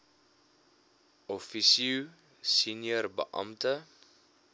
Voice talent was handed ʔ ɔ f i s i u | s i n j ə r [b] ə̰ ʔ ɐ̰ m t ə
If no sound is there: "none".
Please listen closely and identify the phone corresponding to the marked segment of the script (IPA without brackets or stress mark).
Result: b